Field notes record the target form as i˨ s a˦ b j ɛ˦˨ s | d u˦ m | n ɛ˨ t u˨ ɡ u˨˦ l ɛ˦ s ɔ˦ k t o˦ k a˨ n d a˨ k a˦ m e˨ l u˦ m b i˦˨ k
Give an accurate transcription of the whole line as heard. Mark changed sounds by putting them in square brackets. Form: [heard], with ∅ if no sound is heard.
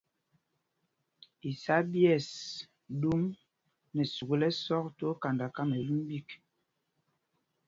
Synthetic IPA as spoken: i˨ s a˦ b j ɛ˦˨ s | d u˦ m | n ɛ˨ [s] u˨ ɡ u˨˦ l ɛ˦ s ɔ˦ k t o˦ k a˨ n d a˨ k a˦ m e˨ l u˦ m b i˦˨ k